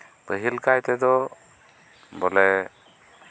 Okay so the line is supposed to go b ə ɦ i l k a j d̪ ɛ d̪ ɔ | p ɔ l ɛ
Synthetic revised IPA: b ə ɦ i l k a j t̪ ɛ d̪ ɔ | b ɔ l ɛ